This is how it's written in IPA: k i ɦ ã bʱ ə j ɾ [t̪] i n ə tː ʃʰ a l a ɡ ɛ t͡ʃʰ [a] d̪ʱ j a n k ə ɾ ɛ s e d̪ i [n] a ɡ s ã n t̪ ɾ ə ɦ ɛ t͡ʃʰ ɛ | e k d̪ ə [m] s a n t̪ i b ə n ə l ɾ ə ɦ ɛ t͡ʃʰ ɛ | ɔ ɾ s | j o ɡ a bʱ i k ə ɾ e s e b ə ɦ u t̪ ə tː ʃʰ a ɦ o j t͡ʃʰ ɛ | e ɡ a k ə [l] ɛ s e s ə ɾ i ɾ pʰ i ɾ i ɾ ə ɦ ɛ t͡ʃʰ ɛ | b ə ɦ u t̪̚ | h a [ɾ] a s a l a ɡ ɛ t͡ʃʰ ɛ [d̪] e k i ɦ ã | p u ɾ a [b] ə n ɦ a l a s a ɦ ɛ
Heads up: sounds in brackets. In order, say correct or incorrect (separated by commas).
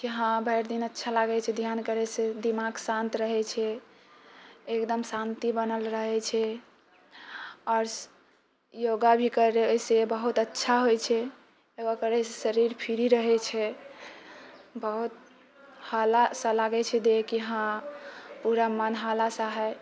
incorrect, incorrect, incorrect, correct, incorrect, incorrect, correct, incorrect